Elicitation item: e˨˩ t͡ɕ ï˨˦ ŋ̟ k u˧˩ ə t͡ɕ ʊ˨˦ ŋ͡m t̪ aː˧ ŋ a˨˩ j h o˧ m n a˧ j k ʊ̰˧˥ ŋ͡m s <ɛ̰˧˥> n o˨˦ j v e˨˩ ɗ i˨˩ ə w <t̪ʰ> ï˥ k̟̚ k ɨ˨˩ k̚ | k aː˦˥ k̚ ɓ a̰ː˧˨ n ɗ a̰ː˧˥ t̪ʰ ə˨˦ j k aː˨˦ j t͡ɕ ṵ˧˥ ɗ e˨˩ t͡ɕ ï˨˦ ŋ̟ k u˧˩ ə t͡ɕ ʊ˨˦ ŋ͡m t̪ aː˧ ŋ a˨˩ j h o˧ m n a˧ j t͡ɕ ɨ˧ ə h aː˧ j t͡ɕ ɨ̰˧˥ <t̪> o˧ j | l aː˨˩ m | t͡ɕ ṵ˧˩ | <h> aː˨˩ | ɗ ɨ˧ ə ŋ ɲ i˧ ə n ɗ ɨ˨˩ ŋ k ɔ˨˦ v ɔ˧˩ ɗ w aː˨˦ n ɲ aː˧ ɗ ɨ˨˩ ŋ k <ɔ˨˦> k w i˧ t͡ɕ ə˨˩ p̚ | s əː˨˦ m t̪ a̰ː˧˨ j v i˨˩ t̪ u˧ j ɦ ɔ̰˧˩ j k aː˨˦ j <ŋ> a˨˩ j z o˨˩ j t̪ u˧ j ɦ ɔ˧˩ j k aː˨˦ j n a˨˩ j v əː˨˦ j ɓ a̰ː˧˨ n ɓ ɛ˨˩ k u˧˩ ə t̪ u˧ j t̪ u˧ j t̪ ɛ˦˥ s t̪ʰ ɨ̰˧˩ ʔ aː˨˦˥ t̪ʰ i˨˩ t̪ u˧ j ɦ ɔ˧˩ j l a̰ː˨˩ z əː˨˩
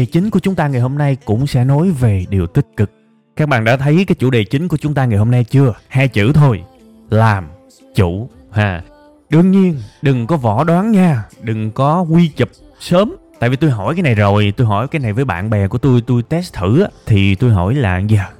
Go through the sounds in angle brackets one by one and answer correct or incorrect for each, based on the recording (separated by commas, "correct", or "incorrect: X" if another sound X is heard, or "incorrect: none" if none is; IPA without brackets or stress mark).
correct, incorrect: t̪, incorrect: t̪ʰ, correct, correct, incorrect: n